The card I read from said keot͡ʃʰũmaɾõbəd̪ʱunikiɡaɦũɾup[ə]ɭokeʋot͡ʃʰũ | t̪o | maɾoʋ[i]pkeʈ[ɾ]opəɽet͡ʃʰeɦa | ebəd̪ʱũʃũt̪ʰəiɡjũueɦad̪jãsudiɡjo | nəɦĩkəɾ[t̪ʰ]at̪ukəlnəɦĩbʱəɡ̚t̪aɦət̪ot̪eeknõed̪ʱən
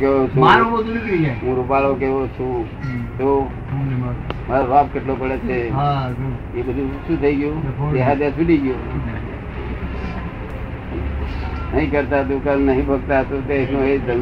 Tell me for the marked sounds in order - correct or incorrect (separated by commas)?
incorrect, incorrect, incorrect, incorrect